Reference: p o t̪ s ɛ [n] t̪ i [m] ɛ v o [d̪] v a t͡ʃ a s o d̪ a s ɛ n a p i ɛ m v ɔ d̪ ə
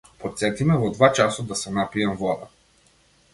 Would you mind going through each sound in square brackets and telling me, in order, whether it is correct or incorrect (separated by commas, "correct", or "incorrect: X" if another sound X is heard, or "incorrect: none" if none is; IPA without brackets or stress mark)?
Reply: incorrect: none, correct, correct